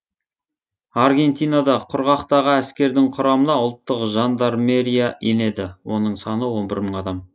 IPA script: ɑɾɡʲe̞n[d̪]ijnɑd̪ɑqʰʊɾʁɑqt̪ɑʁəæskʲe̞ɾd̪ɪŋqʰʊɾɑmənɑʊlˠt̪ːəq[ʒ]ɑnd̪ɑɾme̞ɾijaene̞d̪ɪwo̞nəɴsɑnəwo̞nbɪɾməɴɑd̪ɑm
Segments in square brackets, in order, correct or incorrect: incorrect: t̪, correct

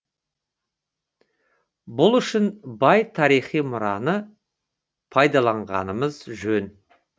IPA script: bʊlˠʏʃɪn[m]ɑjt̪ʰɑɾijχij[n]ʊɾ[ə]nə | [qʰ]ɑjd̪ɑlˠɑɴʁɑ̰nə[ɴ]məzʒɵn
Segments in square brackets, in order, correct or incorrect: incorrect: b, incorrect: m, incorrect: ɑ, incorrect: pʰ, incorrect: none

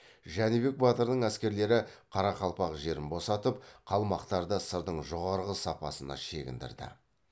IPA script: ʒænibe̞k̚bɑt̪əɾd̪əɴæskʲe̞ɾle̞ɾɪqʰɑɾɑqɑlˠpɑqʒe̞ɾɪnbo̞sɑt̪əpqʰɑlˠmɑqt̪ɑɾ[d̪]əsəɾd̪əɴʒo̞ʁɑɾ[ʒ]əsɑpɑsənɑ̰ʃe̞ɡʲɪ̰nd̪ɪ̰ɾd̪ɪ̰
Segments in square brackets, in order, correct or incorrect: correct, incorrect: ʁ

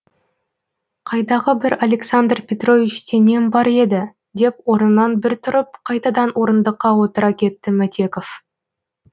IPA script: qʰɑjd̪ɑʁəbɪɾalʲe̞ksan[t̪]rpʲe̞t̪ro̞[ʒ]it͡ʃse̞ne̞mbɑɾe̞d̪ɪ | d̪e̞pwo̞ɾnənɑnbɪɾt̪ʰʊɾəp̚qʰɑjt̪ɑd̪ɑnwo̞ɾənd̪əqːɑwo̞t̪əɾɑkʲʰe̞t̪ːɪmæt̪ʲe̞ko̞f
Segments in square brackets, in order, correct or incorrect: incorrect: d̪, incorrect: v

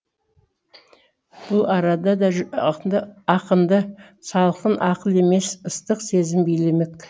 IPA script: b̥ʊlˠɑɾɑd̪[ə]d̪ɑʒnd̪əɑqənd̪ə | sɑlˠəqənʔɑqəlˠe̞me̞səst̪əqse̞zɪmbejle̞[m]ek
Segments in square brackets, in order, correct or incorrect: incorrect: ɑ, correct

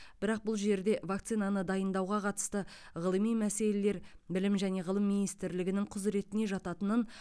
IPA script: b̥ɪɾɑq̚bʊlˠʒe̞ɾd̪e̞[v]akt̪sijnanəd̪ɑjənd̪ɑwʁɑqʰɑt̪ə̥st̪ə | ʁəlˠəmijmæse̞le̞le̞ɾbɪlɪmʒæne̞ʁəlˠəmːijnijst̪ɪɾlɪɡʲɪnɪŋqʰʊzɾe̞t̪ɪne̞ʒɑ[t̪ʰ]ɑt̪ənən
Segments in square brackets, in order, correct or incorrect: correct, incorrect: t̪

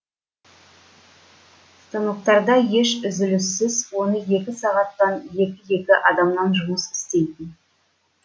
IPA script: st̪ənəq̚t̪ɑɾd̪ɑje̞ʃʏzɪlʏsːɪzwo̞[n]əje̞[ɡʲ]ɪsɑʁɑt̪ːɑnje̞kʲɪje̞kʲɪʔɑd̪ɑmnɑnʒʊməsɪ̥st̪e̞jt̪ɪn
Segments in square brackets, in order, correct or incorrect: correct, incorrect: kʲ

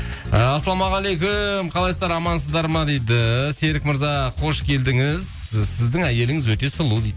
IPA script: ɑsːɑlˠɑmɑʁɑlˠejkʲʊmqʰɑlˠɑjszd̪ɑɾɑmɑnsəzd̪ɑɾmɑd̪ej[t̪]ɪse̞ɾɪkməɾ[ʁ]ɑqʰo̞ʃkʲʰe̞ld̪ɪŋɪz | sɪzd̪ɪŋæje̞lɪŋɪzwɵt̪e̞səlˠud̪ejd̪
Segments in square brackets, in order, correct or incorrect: incorrect: d̪, incorrect: z

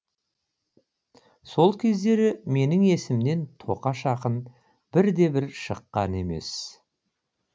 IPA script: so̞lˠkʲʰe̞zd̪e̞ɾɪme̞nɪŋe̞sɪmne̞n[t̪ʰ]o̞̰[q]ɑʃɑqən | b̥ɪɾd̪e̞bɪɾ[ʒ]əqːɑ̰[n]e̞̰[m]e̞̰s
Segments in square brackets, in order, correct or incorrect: correct, correct, incorrect: ʃ, correct, correct

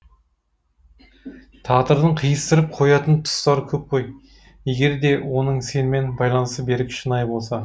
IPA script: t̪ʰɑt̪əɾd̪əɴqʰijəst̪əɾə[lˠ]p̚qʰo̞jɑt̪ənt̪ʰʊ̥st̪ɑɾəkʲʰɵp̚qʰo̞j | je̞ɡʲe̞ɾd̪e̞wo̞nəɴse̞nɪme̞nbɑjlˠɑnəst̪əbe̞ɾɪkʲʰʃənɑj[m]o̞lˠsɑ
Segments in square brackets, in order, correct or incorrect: incorrect: none, incorrect: b

